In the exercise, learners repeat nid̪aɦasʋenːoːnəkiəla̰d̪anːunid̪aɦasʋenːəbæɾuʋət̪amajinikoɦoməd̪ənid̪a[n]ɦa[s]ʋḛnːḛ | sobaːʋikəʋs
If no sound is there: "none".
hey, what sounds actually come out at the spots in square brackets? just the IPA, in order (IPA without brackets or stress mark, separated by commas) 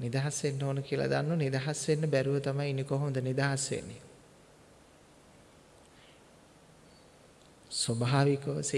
none, s